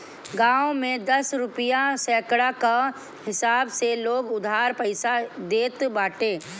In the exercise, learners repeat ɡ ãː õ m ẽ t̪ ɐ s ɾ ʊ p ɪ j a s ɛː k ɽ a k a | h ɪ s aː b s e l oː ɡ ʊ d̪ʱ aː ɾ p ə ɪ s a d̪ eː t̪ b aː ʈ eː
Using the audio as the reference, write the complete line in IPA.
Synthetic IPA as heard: ɡ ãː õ m ẽ d̪ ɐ s ɾ ʊ p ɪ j a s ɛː k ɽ a k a | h ɪ s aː b s e l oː ɡ ʊ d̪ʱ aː ɾ p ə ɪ s a d̪ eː t̪ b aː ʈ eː